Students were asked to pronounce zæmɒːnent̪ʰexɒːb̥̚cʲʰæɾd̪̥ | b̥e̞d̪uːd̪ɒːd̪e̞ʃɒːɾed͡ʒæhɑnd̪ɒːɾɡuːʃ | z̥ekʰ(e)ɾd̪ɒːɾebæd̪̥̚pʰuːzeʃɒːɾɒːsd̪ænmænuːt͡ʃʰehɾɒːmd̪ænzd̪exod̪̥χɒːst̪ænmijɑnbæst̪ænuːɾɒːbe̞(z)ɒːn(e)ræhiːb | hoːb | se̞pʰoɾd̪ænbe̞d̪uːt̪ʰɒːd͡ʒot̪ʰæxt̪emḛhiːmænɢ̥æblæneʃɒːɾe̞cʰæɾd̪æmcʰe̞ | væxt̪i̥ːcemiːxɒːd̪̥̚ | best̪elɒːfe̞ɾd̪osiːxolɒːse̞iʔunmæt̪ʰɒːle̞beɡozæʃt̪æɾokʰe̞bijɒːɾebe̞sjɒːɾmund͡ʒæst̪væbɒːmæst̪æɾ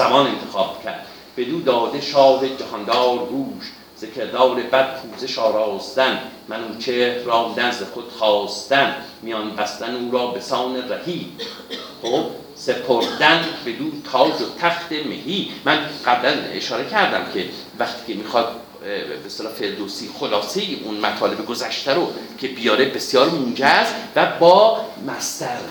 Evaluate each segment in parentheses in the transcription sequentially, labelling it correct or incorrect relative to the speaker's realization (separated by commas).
correct, incorrect, correct